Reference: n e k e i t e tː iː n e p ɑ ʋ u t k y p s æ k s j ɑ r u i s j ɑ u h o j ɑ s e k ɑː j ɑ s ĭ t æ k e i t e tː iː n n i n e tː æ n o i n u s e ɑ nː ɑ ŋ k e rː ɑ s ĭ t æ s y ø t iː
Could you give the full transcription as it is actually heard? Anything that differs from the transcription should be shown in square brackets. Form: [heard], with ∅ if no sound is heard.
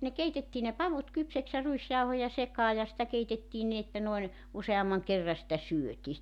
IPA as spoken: n e k e i t e tː iː n e p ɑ ʋ u t k y p s æ k s j ɑ r u i s j ɑ u h o j ɑ s e k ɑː j ɑ s ĭ t æ k e i t e tː iː n n i n e tː æ n o i n u s e ɑ [mː] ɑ ŋ k e rː ɑ s ĭ t æ s y ø t iː